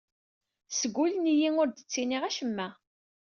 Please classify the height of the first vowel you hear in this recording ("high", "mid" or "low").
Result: mid